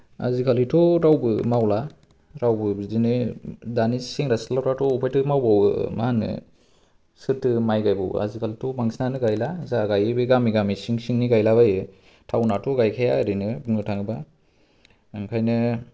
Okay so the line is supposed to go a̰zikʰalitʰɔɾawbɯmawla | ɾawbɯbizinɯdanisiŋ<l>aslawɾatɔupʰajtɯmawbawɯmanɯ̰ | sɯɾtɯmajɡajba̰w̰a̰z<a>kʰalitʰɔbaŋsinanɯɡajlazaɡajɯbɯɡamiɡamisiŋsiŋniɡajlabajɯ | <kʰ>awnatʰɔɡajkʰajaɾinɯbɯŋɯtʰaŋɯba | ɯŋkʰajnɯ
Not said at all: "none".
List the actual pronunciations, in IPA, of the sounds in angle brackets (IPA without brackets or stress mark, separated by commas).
ɾ, i, tʰ